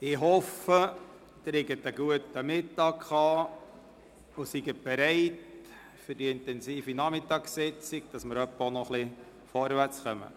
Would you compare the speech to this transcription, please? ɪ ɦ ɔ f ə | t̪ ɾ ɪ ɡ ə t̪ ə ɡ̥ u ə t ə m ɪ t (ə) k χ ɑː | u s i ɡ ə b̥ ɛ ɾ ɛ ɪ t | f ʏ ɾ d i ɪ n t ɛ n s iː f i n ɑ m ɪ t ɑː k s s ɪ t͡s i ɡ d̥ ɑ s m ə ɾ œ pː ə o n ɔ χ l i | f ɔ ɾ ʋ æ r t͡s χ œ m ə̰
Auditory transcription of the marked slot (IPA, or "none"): ɑ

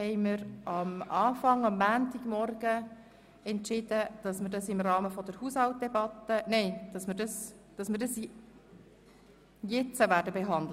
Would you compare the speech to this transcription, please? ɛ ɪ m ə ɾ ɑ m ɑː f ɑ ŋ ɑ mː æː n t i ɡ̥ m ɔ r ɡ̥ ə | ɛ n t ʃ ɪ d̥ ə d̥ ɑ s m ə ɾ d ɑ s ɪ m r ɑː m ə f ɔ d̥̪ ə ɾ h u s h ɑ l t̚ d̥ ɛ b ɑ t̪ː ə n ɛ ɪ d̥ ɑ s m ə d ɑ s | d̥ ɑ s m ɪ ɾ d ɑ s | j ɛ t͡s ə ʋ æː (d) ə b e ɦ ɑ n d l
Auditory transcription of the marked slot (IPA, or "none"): d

